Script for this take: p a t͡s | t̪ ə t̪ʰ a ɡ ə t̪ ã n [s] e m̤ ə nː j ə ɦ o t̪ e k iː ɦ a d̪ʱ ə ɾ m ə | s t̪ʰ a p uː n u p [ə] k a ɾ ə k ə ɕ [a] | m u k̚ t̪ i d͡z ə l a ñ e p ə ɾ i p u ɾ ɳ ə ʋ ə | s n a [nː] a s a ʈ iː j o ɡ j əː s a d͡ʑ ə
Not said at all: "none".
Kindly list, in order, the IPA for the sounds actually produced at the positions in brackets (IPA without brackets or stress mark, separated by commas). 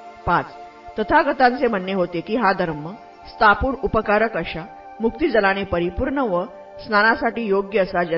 t͡s, ə, a, n